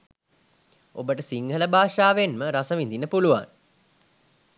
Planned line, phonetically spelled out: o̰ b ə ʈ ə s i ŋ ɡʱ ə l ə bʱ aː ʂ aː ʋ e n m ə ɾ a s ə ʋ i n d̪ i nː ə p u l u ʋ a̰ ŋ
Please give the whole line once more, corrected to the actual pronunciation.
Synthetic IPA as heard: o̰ b ə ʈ ə s i ŋ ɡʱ ə l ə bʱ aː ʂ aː ʋ e n m ə ɾ a s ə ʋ i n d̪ i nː ə p u l u ʋ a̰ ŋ